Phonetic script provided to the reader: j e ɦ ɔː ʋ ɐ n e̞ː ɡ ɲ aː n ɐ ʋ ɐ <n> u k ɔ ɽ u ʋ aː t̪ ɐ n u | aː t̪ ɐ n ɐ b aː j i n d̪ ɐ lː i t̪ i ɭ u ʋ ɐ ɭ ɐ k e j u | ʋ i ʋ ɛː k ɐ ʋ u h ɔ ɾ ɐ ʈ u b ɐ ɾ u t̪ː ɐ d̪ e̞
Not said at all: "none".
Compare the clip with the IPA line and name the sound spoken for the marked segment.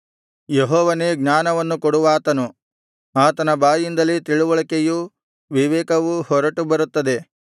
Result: nː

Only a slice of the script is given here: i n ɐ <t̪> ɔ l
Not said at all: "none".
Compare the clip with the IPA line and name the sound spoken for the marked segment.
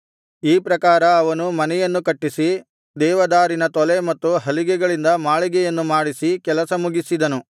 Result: t̪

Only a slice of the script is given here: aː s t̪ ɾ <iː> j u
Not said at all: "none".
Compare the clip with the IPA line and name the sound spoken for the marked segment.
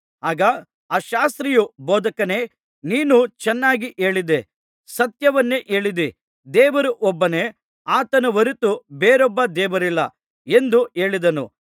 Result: i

